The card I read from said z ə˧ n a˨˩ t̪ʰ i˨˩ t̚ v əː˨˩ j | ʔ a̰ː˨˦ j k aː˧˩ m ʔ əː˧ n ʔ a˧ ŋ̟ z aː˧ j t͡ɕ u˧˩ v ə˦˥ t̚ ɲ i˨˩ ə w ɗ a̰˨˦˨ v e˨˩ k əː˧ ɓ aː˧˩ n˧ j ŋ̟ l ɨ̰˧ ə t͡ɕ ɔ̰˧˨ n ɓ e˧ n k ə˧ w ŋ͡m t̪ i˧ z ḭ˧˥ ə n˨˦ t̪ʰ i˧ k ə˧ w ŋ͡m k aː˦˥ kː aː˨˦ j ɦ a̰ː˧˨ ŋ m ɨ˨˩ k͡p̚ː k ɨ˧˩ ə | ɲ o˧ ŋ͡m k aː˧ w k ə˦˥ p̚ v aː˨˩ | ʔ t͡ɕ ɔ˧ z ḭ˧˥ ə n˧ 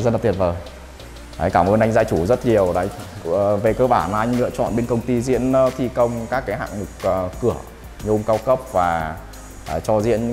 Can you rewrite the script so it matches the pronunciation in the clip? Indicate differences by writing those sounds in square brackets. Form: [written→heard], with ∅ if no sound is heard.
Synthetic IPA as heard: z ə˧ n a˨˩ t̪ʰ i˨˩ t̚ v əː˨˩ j | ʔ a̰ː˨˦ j k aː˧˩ m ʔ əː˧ n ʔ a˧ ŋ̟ z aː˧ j t͡ɕ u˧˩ [v→z] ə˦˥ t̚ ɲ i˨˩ ə w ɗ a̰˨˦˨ v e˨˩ k əː˧ ɓ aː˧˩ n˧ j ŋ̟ l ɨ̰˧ ə t͡ɕ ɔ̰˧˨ n ɓ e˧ n k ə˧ w ŋ͡m t̪ i˧ z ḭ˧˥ ə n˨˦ t̪ʰ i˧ k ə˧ w ŋ͡m k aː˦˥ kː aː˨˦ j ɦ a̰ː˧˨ ŋ m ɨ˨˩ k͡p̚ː k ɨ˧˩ ə | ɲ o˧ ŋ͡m k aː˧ w k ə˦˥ p̚ v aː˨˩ | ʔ t͡ɕ ɔ˧ z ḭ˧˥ ə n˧